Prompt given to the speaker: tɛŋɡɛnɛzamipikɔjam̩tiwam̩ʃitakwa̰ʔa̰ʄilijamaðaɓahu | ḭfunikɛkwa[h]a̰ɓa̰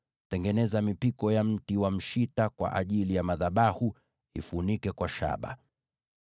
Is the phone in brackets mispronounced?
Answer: yes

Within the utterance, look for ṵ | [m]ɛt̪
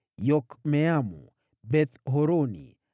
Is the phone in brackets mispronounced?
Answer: yes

